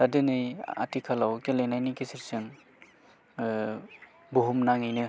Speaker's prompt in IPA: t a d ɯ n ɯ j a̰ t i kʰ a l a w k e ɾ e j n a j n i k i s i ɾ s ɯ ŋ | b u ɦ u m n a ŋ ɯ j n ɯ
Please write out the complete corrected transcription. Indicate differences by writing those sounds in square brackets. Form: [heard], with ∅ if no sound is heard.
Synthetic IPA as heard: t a d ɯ n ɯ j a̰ t i kʰ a l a w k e [l] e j n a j n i k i s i ɾ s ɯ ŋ | b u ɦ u m n a ŋ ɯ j n ɯ